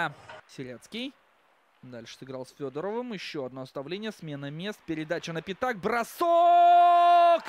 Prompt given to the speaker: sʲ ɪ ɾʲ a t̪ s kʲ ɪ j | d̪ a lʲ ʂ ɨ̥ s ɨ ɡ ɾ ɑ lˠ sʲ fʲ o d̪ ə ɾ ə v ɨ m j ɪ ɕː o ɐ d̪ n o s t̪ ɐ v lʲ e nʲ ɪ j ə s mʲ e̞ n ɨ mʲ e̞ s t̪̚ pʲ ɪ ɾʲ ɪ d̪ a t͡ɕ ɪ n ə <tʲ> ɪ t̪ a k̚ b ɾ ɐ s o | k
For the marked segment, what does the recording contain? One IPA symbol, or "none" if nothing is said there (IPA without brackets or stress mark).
pʲ